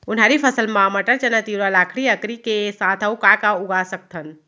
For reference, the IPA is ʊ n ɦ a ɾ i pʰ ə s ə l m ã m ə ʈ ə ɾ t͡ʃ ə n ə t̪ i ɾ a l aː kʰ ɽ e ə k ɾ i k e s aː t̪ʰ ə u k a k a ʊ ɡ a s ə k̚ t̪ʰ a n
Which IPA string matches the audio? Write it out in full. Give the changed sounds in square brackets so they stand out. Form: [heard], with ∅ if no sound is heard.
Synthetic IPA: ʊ n ɦ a ɾ i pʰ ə s ə l m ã m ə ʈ ə ɾ t͡ʃ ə n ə t̪ i ɾ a l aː kʰ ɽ [i] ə k ɾ i k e s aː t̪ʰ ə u k a k a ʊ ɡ a s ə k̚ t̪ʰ [ə] n

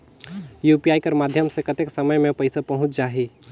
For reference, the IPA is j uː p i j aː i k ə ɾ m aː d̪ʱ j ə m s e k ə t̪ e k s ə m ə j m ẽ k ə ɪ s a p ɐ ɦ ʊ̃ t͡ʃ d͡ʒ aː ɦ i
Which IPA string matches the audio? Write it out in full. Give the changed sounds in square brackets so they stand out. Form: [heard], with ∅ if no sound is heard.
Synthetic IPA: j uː p i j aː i k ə ɾ m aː d̪ʱ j ə m s e k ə t̪ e k s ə m ə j m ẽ [p] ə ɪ s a p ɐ ɦ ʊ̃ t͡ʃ d͡ʒ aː ɦ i

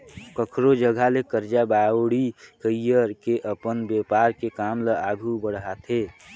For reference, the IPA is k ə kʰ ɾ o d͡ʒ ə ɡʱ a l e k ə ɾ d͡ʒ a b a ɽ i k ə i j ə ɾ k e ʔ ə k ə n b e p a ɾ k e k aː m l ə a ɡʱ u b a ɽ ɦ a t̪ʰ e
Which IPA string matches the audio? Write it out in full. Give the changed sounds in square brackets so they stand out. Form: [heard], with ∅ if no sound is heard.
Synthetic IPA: k ə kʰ ɾ o d͡ʒ ə ɡʱ a l e k ə ɾ d͡ʒ a b a ɽ i k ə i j ə ɾ k e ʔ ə [p] ə n b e p a ɾ k e k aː m l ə a ɡʱ u b [ə] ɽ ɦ a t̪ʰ e

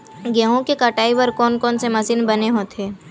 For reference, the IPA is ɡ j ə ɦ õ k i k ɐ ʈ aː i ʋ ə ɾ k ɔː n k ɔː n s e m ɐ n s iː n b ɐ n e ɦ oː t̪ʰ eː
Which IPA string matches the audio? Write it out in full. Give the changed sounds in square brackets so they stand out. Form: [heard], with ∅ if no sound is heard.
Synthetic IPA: ɡ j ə ɦ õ k [e] k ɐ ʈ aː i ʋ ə ɾ k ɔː n k ɔː n s e m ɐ [∅] s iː n b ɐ n e ɦ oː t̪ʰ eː

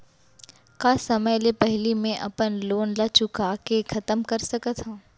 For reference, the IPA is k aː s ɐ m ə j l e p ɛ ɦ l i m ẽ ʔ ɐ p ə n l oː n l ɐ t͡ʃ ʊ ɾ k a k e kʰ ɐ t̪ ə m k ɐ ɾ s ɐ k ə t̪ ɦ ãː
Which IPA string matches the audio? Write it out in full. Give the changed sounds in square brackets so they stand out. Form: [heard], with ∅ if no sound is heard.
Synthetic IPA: k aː s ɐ m ə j l e p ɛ ɦ l i m ẽ ʔ ɐ p ə n l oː n l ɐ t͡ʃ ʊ [∅] k a k e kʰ ɐ t̪ ə m k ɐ ɾ s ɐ k ə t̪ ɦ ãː

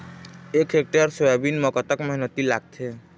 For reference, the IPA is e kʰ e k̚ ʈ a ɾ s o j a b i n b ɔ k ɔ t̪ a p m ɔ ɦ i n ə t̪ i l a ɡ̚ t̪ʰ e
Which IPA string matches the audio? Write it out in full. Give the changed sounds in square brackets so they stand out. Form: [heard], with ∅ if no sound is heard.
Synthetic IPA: e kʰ e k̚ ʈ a ɾ s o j a b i n [m] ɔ k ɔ t̪ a [k] m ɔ ɦ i n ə t̪ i l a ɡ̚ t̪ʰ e

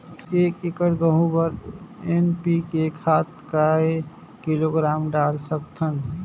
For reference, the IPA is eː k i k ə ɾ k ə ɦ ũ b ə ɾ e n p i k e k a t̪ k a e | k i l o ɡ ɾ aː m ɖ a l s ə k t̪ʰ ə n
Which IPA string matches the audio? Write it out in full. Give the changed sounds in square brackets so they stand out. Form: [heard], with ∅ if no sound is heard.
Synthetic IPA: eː k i k ə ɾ [ɡ] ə ɦ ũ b ə ɾ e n p i k e [kʰ] a t̪ k a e | k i l o ɡ ɾ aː m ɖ a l s ə k t̪ʰ ə n

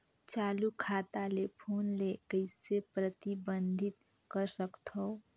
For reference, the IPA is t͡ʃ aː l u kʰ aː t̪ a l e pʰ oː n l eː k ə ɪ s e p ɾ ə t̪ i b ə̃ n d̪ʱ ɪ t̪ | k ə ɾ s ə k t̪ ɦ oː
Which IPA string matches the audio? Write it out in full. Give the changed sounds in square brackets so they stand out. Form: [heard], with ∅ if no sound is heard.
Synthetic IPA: t͡ʃ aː l u kʰ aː t̪ a l e pʰ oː n l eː k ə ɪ s e p ɾ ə t̪ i b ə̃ n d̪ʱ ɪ t̪ | k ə ɾ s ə k t̪ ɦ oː

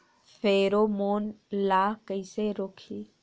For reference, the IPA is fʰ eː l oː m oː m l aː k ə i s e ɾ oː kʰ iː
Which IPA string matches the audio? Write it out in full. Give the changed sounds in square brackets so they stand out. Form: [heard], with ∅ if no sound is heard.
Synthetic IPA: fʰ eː [ɾ] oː m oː [n] l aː k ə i s e ɾ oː kʰ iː

